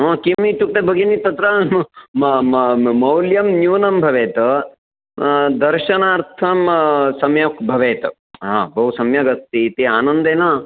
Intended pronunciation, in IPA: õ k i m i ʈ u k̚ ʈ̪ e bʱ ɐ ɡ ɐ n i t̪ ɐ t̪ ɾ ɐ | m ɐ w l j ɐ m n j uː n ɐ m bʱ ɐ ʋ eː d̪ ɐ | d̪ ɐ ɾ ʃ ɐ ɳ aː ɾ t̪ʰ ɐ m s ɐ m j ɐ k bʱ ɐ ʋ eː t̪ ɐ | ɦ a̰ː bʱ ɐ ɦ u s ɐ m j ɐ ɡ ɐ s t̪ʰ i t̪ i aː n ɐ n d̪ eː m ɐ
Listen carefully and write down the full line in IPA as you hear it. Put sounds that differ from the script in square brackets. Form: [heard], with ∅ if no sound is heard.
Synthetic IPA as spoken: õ k i m i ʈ u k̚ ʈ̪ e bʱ ɐ ɡ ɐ n i t̪ ɐ t̪ ɾ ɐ | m ɐ w l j ɐ m n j uː n ɐ m bʱ ɐ ʋ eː [t̪] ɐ | d̪ ɐ ɾ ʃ ɐ [n] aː ɾ t̪ʰ ɐ m s ɐ m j ɐ k bʱ ɐ ʋ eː t̪ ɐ | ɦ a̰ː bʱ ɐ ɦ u s ɐ m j ɐ ɡ ɐ s [t̪] i t̪ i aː n ɐ n d̪ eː [n] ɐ